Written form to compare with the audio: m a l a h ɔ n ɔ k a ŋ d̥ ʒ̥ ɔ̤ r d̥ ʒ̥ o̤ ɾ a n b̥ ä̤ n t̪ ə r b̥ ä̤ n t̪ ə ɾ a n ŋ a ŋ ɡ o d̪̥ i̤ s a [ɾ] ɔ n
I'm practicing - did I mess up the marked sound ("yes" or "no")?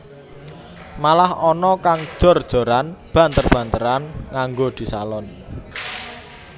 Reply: yes